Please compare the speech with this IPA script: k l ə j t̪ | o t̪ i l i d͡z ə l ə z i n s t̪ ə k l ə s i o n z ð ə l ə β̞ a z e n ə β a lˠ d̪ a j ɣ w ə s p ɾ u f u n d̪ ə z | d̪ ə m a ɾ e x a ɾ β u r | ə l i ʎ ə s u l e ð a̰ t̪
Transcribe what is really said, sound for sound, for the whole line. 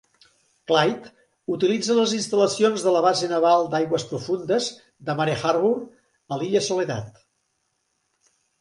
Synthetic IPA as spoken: k l a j t̪ | u t̪ i l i d͡z ə l ə z i n s t̪ ə l ə s i o n z ð ə l ə β̞ a z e n ə β a lˠ d̪ a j ɣ w ə s p ɾ u f u n d̪ ə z | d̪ ə m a ɾ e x a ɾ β u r | ə l i ʎ ə s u l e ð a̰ t̪